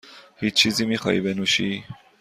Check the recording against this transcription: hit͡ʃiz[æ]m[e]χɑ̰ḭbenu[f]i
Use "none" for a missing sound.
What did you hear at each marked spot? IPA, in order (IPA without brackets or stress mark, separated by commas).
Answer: i, i, ʃ